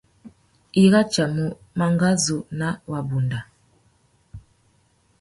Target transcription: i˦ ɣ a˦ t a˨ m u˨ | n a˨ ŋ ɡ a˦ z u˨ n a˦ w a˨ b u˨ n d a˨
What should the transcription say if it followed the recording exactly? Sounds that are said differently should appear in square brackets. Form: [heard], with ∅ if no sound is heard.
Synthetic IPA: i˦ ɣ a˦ [t͡ʃ] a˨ m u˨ | [m] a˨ ŋ ɡ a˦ z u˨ n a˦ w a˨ b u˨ n d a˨

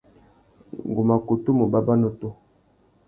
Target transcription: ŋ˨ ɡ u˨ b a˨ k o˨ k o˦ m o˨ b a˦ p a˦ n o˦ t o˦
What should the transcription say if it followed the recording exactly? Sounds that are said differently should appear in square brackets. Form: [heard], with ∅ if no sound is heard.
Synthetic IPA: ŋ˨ ɡ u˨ [m] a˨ k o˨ [t] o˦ m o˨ b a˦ [b] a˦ n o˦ t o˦

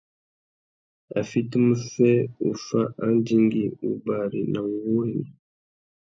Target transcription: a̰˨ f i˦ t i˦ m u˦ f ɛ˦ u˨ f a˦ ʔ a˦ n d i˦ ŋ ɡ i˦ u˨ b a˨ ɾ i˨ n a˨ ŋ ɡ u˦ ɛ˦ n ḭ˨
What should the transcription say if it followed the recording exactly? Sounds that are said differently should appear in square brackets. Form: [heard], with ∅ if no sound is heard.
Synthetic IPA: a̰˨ f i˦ t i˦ m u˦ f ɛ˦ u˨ f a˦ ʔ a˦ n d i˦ ŋ ɡ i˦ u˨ b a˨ ɾ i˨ n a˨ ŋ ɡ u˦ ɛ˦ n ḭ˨

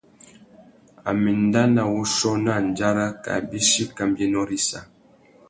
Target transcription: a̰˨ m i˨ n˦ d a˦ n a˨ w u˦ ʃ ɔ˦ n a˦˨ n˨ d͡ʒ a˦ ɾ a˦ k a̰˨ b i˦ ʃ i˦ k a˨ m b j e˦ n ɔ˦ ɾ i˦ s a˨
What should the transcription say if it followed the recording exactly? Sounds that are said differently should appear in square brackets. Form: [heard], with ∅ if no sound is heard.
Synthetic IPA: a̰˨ m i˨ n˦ d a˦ n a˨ w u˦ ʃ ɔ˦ n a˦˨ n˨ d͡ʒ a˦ ɾ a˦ k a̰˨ b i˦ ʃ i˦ k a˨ m b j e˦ n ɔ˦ ɾ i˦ s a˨

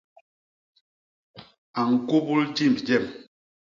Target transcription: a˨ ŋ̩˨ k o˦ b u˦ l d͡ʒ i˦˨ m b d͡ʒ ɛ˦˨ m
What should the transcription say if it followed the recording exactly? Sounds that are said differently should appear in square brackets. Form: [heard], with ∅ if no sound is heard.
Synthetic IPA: a˨ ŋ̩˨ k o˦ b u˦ l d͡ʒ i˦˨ m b d͡ʒ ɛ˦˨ m

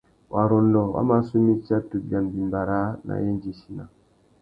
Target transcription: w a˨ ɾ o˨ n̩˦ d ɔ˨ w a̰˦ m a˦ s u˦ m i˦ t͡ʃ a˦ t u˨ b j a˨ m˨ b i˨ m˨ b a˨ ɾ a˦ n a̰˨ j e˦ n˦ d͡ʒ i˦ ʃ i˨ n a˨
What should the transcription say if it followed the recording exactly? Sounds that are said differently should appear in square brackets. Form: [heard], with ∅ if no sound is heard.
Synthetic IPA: w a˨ ɾ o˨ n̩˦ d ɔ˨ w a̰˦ m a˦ s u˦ m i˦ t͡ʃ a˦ t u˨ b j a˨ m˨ b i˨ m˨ b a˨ ɾ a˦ n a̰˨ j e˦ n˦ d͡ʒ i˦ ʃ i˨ n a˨

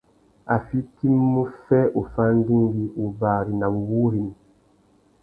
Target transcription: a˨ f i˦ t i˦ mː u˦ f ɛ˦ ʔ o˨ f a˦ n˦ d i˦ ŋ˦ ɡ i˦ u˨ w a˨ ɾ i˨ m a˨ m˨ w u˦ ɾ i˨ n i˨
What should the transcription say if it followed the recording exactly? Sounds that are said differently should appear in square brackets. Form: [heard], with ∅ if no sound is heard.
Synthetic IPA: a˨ f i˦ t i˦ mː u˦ f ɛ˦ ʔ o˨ f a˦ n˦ d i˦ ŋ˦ ɡ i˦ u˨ [b] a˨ ɾ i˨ [n] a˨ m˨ w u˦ ɾ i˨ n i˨

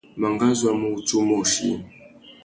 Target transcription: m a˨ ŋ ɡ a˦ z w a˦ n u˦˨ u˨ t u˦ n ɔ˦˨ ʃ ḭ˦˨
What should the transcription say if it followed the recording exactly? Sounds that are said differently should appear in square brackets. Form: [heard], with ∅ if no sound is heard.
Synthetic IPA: m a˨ ŋ ɡ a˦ z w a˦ [m] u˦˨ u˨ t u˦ [m] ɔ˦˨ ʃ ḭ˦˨

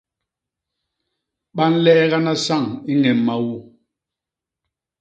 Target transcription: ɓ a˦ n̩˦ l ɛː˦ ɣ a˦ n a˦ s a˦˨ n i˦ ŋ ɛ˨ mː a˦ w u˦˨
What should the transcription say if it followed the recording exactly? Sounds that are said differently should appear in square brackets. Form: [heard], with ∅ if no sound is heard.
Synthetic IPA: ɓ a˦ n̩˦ l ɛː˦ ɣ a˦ n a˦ s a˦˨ [ŋ] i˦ ŋ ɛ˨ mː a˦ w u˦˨

